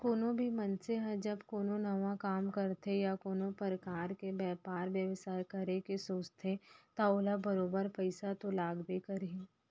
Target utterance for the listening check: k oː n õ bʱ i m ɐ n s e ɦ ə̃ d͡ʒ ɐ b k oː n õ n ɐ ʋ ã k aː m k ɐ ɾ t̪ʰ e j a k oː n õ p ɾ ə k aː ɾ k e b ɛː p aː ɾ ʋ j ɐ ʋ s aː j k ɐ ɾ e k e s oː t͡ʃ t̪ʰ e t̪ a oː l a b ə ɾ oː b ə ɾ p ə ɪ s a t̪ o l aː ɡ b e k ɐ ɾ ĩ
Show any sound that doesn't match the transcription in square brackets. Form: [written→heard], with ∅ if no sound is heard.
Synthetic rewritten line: k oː n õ bʱ i m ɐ n s e ɦ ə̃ d͡ʒ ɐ b k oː n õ n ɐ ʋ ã k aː m k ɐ ɾ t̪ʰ e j a k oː n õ p ɾ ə k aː ɾ k e b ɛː p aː ɾ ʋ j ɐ ʋ s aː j k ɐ ɾ e k e s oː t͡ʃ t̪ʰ e t̪ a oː l a b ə ɾ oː b ə ɾ p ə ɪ s a t̪ o l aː ɡ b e k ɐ ɾ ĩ